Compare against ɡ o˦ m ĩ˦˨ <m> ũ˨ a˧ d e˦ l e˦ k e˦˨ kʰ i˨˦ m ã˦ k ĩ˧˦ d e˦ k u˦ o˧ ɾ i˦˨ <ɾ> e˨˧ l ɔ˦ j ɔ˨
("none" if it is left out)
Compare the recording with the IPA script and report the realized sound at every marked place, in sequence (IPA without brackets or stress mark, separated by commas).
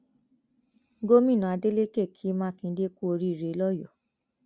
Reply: n, ɾ